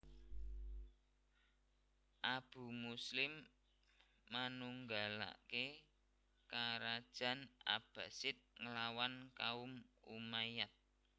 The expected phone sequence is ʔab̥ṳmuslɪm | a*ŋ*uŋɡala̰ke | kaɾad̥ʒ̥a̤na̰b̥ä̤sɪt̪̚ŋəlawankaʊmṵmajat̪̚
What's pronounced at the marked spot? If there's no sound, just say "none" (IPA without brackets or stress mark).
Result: n